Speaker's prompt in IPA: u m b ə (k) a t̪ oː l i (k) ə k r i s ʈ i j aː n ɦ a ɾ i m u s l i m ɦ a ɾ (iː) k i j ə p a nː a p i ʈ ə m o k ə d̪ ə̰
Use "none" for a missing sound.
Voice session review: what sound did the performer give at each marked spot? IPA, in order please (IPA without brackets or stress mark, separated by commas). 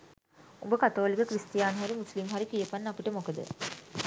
k, k, i